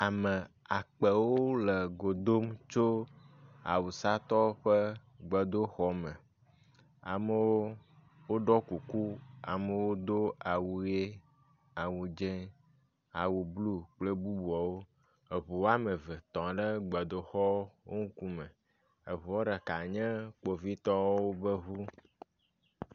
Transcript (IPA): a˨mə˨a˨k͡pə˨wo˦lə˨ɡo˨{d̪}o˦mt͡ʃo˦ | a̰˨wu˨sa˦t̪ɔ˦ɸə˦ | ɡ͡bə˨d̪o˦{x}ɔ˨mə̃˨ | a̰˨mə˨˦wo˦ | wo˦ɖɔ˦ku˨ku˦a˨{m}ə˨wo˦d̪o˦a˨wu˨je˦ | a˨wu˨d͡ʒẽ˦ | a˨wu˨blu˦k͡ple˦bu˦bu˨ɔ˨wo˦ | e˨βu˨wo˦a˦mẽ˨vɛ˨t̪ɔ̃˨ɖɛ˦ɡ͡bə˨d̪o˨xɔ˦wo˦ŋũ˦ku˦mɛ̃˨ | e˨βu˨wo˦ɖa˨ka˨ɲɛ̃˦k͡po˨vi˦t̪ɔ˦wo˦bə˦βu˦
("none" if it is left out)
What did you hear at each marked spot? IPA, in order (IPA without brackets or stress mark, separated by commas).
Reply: d̪, x, m